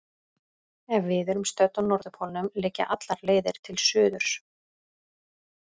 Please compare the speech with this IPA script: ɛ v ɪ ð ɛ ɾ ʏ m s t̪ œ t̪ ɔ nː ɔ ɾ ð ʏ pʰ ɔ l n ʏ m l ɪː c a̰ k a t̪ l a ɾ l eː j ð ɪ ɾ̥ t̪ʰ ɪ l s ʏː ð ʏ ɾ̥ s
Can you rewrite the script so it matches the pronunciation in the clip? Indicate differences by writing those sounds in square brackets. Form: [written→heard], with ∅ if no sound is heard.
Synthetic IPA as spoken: ɛ v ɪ ð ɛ ɾ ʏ m s t̪ œ t̪ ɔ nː ɔ ɾ ð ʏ pʰ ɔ l n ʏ m l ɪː c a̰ [k→ʔ] a t̪ l a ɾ l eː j ð ɪ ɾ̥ t̪ʰ ɪ l s ʏː ð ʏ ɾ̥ s